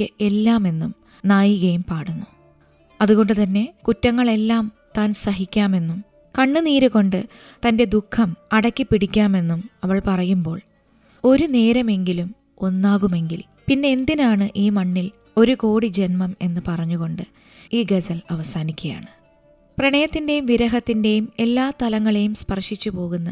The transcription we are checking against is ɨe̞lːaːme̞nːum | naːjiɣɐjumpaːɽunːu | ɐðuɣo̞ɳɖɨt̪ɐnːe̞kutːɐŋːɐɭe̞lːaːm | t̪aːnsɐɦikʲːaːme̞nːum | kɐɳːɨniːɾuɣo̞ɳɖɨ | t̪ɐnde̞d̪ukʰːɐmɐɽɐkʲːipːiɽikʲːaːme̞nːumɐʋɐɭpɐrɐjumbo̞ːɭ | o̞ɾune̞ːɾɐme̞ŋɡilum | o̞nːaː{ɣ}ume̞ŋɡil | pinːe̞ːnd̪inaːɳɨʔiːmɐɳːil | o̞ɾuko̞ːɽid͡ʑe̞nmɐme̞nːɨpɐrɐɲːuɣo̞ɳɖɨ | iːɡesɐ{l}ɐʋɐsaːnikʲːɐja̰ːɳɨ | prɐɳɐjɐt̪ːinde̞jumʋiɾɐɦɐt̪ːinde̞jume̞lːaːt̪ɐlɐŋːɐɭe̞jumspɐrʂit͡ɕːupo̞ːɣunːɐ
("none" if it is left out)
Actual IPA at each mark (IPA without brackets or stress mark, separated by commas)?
ɣ, l